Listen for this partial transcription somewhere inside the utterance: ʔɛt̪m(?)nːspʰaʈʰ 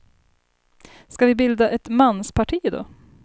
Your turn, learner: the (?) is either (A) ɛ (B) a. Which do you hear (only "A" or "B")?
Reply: B